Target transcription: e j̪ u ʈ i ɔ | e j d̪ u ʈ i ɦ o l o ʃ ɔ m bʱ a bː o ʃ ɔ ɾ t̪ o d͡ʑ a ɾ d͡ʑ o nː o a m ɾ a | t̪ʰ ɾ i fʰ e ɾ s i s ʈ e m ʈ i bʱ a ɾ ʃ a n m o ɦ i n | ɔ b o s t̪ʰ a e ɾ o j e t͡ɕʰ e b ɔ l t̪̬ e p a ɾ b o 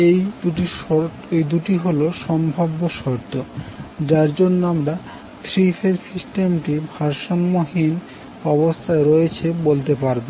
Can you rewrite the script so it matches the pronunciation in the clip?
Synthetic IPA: e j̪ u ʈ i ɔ | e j d̪ u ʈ i ɦ o l o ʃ ɔ m bʱ a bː o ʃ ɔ ɾ t̪ o d͡ʑ a ɾ d͡ʑ o nː o a m ɾ a | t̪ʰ ɾ i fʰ e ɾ s i s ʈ e m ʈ i bʱ a ɾ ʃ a n m o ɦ i n | ɔ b o s t̪ʰ a e ɾ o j e t͡ɕʰ e b o l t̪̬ e p a ɾ b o